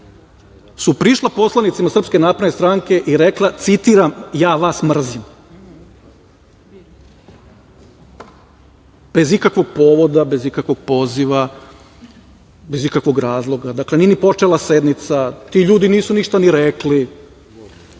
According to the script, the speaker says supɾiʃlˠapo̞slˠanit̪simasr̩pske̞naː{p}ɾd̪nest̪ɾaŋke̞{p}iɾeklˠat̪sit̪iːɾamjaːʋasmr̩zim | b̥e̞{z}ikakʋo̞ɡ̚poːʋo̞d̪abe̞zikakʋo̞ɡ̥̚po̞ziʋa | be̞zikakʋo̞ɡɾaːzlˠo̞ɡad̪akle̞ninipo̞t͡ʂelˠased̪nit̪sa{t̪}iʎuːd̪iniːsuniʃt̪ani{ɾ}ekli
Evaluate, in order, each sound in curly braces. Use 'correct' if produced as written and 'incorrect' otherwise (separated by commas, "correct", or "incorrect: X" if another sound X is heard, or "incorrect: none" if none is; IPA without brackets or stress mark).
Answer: correct, incorrect: ʔ, correct, correct, correct